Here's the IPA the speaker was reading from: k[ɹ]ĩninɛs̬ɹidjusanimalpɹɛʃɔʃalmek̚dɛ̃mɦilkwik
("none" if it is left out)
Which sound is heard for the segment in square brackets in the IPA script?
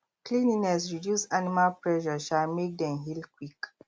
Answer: l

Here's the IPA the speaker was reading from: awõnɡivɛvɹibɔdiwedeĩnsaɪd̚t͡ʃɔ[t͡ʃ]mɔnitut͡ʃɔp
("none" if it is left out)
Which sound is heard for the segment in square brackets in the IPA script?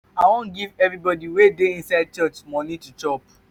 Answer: t͡ʃ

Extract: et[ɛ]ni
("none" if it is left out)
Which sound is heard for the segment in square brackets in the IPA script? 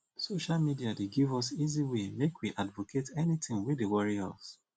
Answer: ɛ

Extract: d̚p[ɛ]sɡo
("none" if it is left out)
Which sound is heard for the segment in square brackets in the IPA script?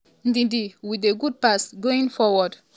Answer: a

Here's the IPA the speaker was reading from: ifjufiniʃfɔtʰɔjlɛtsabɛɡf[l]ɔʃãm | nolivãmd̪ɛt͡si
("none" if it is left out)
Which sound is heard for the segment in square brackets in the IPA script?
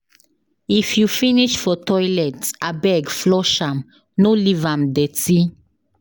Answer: l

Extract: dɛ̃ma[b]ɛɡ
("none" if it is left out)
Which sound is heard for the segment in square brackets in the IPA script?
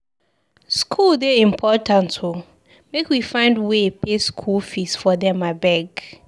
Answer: b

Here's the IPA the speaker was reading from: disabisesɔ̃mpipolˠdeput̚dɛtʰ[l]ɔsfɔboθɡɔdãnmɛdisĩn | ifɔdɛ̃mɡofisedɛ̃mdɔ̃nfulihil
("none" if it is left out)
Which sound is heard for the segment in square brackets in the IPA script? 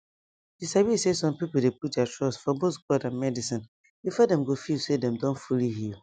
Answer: ɹ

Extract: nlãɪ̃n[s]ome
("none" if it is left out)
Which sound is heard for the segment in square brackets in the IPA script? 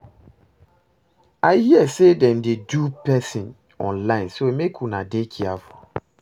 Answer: s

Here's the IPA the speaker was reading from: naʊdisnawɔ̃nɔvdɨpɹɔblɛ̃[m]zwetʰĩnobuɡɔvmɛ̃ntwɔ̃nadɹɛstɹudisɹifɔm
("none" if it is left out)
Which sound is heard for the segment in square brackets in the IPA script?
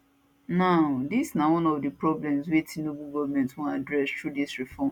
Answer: m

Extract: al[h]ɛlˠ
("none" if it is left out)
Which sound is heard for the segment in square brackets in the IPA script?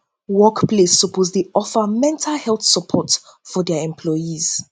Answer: h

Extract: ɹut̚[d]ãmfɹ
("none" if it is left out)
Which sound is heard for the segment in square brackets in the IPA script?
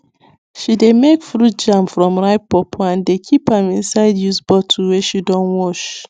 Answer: d͡ʒ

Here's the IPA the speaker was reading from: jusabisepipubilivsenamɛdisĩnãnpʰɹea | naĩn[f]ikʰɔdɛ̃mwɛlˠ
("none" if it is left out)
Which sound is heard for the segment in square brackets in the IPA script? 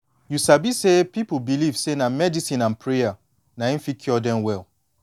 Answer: f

